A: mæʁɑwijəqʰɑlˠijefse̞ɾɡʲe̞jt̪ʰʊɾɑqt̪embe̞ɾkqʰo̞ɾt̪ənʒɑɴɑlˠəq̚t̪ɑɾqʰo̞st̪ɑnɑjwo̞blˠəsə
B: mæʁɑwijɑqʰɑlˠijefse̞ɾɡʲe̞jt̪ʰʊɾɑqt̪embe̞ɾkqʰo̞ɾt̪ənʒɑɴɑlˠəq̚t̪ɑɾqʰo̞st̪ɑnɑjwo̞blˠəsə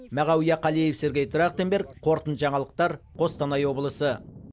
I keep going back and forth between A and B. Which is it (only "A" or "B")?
B